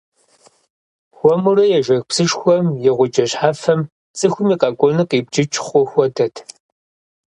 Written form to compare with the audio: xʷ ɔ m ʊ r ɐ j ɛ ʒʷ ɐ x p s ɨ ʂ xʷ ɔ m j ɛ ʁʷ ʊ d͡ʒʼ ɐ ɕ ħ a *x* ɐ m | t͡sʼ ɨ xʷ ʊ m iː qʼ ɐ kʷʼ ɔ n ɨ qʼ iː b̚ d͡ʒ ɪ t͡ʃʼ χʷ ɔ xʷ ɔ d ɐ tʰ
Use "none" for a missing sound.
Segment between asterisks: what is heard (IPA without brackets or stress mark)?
f